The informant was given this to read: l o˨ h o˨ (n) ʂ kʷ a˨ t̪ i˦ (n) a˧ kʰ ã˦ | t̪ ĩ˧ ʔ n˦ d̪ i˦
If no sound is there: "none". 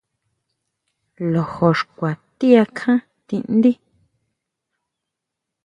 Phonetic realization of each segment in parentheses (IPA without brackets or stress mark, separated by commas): none, none